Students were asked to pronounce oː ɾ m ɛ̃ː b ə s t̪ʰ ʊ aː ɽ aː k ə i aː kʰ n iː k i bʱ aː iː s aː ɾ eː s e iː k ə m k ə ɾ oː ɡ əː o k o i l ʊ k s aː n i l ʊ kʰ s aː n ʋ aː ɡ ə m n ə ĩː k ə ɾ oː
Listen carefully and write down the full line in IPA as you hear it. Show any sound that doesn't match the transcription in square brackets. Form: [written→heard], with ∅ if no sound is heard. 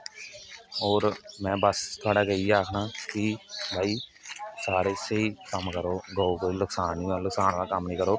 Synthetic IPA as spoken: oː ɾ m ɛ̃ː b ə s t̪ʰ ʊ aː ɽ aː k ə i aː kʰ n [iː→aː] k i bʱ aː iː s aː ɾ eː s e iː k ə m k ə ɾ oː ɡ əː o k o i l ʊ k s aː n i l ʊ [kʰ→k] s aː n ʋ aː [ɡ→k] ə m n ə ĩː k ə ɾ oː

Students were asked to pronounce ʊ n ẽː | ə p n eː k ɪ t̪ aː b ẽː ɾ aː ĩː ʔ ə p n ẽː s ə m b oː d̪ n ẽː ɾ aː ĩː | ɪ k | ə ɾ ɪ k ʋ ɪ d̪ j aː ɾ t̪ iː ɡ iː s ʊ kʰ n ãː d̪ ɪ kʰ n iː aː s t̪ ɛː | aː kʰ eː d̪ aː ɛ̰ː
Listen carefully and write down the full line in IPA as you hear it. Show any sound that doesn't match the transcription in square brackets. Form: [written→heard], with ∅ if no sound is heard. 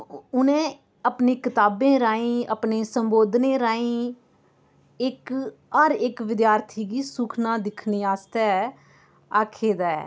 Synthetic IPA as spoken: ʊ n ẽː | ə p n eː k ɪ t̪ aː b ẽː ɾ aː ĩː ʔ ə p n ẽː s ə m b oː d̪ n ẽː ɾ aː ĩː | ɪ k | ə ɾ ɪ k ʋ ɪ d̪ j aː ɾ [t̪→t̪ʰ] iː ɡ iː s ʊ kʰ n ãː d̪ ɪ kʰ n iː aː s t̪ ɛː | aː kʰ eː d̪ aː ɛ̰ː

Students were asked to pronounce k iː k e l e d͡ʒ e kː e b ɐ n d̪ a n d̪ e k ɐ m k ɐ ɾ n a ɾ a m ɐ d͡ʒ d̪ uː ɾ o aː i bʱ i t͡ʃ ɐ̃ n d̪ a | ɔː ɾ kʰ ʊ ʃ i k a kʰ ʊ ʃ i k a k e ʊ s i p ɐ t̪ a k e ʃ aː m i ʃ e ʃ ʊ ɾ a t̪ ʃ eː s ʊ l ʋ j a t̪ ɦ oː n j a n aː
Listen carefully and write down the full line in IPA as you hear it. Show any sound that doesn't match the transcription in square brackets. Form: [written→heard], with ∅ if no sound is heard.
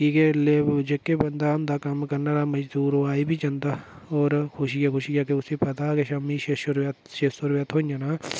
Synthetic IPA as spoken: k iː k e l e d͡ʒ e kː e b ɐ n d̪ a n d̪ [e→a] k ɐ m k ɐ ɾ n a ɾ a m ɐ d͡ʒ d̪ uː ɾ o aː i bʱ i t͡ʃ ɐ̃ n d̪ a | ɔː ɾ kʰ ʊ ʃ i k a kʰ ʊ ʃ i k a k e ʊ s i p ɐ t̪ a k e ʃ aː m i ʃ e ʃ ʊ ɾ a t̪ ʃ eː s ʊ [l→ɾ] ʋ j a t̪ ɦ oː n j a n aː

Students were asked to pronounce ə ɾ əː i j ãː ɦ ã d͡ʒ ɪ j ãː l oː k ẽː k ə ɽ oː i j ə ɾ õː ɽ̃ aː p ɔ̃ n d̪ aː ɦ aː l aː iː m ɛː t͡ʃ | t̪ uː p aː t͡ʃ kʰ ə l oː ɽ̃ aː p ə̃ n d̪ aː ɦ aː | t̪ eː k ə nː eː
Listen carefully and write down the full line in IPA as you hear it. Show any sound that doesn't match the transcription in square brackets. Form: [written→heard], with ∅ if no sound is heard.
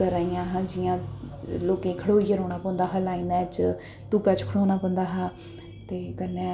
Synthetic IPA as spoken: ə ɾ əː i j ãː ɦ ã d͡ʒ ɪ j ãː l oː k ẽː [k→kʰ] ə ɽ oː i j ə ɾ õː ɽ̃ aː p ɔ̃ n d̪ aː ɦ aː l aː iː [m→n] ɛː t͡ʃ | t̪ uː p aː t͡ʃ kʰ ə [l→ɽ] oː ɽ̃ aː p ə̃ n d̪ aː ɦ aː | t̪ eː k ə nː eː

